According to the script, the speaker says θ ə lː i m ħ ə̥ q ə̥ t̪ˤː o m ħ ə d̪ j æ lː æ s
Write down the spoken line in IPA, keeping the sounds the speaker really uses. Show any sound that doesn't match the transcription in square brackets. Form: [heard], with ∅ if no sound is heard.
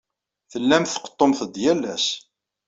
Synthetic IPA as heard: θ ə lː [æ] m [θ] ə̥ q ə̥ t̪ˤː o m [θ] ə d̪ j æ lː æ s